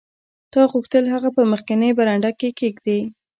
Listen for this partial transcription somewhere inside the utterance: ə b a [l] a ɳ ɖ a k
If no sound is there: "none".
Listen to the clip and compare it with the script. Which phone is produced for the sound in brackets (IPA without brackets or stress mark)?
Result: ɾ